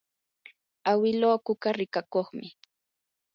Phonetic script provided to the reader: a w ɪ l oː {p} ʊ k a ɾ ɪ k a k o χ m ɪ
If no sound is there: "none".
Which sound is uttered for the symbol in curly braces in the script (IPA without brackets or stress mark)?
k